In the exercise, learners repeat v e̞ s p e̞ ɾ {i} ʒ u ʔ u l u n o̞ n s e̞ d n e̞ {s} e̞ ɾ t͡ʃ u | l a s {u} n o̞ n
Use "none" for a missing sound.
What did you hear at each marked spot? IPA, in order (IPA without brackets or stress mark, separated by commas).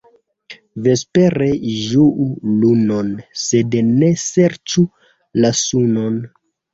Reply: e, s, u